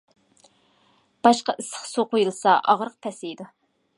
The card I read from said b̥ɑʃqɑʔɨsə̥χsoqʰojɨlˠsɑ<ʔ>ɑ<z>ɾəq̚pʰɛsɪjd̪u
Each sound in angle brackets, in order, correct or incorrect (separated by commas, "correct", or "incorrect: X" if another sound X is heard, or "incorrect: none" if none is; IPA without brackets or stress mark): correct, incorrect: ʁ